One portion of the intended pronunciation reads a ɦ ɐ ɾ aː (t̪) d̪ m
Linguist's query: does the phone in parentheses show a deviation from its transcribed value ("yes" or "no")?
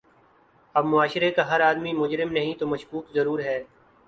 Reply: yes